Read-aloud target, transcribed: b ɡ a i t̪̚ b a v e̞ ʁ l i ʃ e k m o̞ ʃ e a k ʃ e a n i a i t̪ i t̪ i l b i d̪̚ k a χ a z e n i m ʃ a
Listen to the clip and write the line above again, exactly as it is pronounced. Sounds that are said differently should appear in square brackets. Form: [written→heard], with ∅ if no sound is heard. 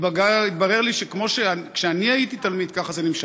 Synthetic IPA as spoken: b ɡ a i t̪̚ b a [v→ʁ] e̞ ʁ l i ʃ e k m o̞ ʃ e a k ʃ e a n i a i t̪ i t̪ [i→a] l [b→m] i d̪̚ k a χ a z e n i m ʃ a